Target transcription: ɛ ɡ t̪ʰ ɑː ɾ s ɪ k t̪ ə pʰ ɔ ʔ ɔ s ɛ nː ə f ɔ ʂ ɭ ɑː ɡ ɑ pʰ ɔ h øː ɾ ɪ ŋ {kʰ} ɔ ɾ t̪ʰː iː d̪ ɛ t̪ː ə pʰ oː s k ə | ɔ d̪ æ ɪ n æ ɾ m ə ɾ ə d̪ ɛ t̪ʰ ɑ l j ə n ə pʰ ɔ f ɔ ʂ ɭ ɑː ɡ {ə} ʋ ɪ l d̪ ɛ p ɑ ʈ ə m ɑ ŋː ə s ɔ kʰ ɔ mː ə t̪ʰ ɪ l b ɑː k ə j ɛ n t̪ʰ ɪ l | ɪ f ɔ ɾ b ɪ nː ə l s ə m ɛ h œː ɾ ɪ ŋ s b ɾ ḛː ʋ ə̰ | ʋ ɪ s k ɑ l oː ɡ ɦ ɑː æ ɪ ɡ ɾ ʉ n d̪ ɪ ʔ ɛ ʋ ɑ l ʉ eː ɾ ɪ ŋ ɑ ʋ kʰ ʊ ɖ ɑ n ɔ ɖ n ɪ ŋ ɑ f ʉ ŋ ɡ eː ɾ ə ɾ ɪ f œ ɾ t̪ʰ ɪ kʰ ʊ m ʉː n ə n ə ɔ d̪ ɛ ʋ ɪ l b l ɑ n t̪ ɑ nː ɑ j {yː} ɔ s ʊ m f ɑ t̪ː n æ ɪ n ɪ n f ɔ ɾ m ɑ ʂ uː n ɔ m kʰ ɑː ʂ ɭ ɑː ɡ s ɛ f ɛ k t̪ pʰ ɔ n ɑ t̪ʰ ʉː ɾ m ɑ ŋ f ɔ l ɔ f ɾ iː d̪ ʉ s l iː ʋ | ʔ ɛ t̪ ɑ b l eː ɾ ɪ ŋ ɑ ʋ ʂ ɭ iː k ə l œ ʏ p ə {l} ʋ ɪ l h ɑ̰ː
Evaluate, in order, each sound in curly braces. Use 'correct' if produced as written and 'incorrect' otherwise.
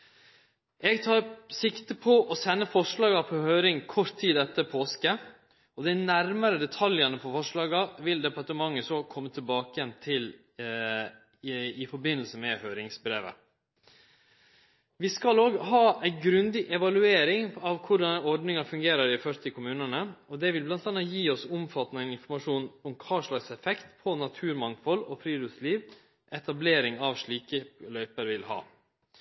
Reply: correct, incorrect, incorrect, incorrect

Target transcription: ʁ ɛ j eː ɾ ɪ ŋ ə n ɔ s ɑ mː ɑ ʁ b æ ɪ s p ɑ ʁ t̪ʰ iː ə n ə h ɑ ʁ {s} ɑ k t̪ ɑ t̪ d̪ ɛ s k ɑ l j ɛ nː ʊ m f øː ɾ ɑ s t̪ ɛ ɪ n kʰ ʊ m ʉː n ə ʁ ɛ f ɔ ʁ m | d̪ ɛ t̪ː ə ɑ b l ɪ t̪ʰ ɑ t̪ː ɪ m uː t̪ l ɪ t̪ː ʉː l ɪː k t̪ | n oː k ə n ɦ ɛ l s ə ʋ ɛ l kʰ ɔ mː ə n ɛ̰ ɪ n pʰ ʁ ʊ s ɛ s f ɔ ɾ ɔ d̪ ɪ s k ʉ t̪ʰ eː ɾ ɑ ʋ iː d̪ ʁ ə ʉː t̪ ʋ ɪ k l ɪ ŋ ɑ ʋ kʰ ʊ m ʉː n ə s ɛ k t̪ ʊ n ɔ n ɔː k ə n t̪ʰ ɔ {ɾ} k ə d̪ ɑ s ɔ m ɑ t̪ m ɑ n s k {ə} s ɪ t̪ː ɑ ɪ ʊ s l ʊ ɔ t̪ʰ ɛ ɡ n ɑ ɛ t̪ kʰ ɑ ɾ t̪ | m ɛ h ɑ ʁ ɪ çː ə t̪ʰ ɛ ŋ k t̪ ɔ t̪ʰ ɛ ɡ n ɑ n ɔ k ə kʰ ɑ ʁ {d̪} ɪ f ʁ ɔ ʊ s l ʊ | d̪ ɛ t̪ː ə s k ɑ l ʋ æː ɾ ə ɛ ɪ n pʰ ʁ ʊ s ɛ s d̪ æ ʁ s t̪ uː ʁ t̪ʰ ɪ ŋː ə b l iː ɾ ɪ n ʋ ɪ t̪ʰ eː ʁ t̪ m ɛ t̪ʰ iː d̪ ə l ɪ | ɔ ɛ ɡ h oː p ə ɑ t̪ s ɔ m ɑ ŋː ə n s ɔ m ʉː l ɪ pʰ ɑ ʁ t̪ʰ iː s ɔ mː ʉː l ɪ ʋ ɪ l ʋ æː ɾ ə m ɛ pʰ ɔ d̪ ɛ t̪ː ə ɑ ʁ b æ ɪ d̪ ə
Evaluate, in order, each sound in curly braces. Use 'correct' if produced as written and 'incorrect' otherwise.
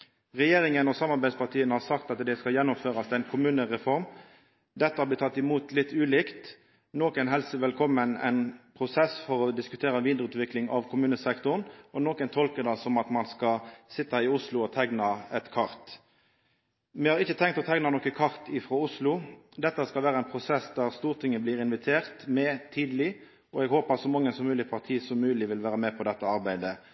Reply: correct, incorrect, incorrect, incorrect

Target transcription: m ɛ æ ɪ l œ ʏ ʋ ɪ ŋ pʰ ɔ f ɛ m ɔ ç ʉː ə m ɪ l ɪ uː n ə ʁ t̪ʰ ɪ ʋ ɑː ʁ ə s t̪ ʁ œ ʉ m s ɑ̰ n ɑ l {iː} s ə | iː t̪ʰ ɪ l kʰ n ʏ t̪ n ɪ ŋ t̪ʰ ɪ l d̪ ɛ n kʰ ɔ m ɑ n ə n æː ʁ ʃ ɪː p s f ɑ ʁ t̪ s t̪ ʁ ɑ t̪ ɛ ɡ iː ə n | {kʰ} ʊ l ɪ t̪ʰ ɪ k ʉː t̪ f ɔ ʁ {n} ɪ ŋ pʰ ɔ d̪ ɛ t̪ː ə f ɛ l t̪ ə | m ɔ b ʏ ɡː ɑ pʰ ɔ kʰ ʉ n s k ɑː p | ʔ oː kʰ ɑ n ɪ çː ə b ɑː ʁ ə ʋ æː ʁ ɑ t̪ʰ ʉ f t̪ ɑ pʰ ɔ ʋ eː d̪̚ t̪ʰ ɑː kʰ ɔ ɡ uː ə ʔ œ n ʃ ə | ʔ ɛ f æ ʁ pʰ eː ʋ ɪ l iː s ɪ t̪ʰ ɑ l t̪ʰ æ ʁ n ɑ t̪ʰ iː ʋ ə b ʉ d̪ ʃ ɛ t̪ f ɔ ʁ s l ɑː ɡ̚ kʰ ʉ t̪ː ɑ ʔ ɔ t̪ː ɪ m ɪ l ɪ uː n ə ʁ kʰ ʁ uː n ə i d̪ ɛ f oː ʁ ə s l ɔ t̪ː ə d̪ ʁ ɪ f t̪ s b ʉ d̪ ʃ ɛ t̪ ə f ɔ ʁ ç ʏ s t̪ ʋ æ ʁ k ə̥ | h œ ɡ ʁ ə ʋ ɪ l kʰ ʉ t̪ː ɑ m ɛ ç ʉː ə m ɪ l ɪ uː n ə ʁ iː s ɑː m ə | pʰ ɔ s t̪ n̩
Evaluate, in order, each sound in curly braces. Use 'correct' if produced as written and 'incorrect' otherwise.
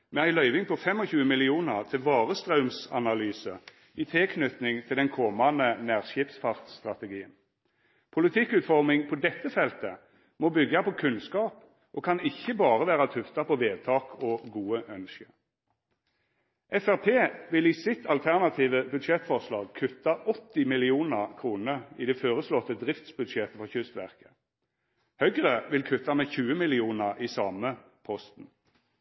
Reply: incorrect, incorrect, incorrect

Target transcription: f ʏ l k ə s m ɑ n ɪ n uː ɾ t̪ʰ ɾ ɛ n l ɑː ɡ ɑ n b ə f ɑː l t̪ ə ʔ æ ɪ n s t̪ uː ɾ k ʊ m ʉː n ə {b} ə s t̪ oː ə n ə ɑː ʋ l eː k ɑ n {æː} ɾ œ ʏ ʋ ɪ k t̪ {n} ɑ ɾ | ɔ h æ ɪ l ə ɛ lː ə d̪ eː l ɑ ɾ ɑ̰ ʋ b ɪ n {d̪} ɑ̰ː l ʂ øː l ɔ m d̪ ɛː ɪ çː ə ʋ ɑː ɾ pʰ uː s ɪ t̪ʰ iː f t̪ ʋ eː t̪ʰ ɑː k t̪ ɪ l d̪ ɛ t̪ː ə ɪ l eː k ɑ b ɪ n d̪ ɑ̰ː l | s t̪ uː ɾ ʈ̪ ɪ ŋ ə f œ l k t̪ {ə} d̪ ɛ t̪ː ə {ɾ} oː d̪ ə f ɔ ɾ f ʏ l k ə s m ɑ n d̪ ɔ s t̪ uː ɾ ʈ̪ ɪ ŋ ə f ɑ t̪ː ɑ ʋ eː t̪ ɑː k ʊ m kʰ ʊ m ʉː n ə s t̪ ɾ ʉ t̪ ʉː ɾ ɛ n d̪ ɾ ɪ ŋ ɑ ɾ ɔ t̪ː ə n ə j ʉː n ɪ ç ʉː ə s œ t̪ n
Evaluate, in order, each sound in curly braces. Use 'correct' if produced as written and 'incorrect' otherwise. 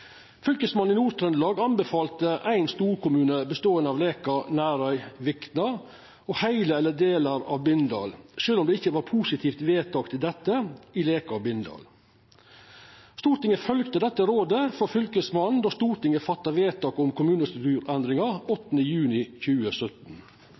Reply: correct, correct, correct, correct, correct, correct

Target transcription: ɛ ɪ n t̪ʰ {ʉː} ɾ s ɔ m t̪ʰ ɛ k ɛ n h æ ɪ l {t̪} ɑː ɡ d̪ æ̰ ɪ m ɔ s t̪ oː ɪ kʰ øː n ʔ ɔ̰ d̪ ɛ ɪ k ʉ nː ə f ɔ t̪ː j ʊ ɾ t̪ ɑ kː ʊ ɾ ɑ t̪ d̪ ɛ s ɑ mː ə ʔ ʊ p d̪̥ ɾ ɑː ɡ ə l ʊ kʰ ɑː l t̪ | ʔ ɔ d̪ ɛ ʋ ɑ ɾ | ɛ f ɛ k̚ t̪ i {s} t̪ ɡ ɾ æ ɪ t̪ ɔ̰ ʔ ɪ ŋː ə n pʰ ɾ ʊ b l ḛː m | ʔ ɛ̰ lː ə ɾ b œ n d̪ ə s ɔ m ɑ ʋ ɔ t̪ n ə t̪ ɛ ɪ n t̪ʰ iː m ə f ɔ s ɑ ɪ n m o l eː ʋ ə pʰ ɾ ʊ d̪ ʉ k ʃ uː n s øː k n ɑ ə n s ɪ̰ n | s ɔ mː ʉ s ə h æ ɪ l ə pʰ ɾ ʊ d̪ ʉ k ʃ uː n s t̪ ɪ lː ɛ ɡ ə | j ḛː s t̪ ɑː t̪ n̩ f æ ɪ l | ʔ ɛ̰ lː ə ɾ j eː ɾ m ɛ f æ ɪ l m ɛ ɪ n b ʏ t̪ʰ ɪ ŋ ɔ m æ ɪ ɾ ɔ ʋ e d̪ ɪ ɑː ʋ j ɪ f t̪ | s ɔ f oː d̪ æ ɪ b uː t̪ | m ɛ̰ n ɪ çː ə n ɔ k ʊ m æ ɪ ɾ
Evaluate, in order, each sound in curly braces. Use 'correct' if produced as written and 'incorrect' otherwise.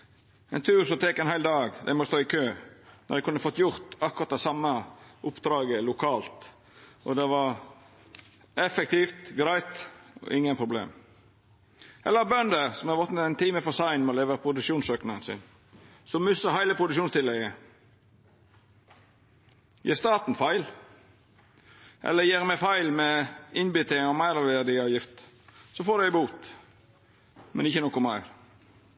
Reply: correct, incorrect, incorrect

